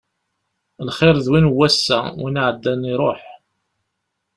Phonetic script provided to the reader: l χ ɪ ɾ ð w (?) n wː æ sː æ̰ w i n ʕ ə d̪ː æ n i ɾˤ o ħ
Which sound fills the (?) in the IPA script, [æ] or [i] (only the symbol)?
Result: i